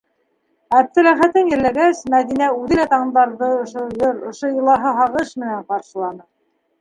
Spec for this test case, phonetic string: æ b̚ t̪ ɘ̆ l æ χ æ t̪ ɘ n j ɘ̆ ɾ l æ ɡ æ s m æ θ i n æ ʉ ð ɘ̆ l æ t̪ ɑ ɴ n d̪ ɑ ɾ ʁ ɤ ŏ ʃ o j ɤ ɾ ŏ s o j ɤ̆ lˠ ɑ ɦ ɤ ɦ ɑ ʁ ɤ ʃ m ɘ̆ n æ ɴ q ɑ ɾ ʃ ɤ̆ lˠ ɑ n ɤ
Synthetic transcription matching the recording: æ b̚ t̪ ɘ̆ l æ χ æ t̪ ɘ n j ɘ̆ ɾ l æ ɡ æ s m æ ð i n æ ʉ ð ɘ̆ l æ t̪ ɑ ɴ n d̪ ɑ ɾ ð ɤ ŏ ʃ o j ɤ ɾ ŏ ʃ o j ɤ̆ lˠ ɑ ɦ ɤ ɦ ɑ ʁ ɤ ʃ m ɘ̆ n æ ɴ q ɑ ɾ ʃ ɤ̆ lˠ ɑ n ɤ